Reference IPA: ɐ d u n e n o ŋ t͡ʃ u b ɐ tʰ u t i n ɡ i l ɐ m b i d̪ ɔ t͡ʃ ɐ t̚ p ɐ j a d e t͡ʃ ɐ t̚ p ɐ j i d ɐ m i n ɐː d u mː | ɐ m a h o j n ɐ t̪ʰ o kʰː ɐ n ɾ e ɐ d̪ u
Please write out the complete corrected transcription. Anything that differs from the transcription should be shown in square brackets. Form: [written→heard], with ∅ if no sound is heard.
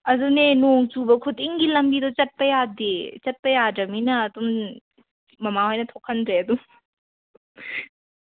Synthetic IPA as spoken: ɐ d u n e n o ŋ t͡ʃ u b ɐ [tʰ→kʰ] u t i [n→ŋ] ɡ i l ɐ m b i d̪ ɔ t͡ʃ ɐ t̚ p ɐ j a d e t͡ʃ ɐ t̚ p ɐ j [i→a] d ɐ m i n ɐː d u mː | ɐ m a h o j n ɐ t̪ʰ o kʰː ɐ n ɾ e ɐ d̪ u